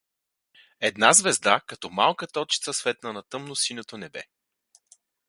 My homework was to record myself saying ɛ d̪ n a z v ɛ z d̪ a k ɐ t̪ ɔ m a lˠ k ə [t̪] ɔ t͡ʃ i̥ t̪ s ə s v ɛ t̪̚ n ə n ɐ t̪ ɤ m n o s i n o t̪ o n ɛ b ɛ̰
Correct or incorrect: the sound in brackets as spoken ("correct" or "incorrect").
correct